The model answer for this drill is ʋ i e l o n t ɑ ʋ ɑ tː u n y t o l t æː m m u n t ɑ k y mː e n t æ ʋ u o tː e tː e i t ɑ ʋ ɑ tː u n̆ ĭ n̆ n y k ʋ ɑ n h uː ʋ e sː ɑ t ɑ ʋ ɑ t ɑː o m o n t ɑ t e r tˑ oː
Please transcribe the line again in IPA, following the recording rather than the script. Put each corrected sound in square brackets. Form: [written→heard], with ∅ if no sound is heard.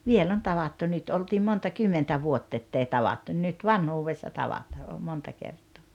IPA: ʋ i e l o n t ɑ ʋ ɑ tː u n y t o l t [æː→iː] m m [u→o] n t ɑ k y mː e n t æ ʋ u o tː e tː e i t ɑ ʋ ɑ tː u n̆ ĭ n̆ n y [k→t] ʋ ɑ n h uː ʋ e sː ɑ t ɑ ʋ ɑ t ɑː o m o n t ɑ [t→k] e r tˑ oː